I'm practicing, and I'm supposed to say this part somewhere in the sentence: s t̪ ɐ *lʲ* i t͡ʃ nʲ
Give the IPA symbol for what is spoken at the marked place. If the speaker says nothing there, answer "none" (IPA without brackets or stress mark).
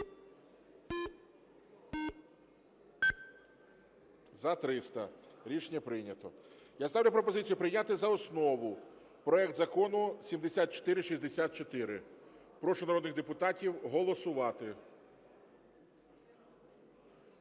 ɾʲ